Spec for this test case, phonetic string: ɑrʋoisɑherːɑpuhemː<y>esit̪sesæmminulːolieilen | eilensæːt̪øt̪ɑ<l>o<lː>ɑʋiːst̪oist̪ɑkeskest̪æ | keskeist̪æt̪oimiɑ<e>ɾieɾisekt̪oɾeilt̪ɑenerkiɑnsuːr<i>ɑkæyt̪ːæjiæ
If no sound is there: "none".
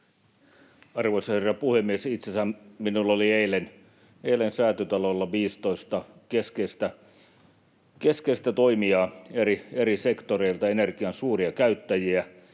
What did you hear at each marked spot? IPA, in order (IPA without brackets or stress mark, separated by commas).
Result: i, l, lː, e, i